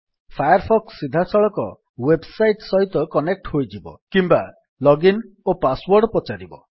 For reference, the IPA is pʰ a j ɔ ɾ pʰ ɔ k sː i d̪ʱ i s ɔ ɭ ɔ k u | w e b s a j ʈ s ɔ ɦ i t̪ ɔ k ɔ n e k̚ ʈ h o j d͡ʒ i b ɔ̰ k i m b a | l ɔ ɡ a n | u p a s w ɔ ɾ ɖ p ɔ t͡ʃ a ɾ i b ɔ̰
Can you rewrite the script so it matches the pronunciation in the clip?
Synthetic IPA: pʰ a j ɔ ɾ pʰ ɔ k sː i d̪ʱ a s ɔ ɭ ɔ k ɔ | w e b s a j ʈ s ɔ ɦ i t̪ ɔ k ɔ n e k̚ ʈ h o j d͡ʒ i b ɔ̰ k i m b a | l ɔ ɡ i n | o p a s w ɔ ɾ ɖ p ɔ t͡ʃ a ɾ i b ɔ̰